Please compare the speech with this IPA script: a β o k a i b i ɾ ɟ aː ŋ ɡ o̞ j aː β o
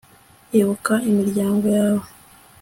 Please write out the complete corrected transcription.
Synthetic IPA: e β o k a i m i ɾ ɟ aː ŋ ɡ o̞ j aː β o